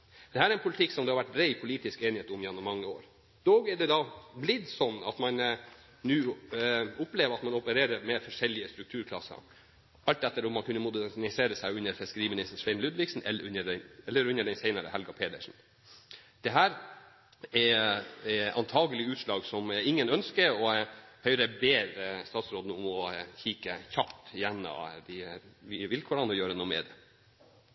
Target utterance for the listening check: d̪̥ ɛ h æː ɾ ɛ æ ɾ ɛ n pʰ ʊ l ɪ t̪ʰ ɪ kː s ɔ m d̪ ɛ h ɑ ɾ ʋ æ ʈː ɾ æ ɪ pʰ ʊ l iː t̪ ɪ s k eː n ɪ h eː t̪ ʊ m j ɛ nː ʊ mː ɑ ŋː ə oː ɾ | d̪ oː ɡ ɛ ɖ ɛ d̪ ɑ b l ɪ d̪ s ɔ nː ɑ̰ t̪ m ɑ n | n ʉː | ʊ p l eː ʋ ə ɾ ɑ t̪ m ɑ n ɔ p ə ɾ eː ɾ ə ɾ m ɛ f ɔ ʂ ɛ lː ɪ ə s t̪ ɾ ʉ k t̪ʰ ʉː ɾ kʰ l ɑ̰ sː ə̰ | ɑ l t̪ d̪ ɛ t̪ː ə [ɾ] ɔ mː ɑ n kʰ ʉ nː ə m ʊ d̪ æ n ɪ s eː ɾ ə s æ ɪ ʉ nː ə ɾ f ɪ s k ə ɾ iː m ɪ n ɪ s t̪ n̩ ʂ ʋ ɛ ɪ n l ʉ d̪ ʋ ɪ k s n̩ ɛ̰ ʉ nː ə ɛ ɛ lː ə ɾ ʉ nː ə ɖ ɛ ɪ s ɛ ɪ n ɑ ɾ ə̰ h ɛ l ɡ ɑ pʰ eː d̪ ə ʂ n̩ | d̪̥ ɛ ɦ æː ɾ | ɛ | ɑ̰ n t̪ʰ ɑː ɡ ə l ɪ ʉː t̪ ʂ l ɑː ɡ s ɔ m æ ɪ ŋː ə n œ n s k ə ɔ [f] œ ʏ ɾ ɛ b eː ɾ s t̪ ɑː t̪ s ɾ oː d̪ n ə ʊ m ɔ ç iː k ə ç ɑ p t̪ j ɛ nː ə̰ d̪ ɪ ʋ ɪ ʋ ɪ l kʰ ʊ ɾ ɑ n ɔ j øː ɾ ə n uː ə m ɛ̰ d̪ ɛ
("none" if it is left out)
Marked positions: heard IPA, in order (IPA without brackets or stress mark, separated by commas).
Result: ɾ, h